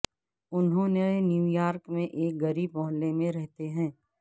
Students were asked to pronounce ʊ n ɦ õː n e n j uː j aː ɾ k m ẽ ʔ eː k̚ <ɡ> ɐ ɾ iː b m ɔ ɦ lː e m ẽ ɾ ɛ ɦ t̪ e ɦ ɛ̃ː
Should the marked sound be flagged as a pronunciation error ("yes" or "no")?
no